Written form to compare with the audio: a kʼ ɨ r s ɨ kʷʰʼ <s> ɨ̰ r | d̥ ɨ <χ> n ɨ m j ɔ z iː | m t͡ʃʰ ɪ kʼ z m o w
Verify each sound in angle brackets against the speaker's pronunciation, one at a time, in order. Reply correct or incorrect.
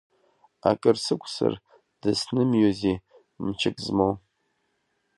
correct, incorrect

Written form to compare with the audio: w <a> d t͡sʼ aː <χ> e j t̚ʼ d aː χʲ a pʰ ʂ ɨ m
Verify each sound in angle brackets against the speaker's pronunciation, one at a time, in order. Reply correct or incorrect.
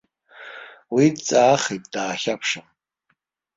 incorrect, correct

